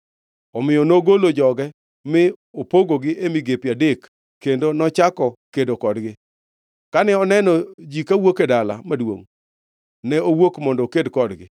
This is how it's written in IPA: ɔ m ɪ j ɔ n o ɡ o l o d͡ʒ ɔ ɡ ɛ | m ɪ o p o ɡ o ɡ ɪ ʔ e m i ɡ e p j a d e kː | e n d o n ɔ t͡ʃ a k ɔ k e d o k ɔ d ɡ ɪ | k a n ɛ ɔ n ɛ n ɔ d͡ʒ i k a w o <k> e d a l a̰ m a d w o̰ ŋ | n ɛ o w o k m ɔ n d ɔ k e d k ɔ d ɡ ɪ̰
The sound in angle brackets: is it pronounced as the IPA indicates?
yes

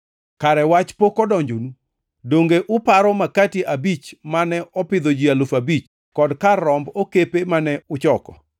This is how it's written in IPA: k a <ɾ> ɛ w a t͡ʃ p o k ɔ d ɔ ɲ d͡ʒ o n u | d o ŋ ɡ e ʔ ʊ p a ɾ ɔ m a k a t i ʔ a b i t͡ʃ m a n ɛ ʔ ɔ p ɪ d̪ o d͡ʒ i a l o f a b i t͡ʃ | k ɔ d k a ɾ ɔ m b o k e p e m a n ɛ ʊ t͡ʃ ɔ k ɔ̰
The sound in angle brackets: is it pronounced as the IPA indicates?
yes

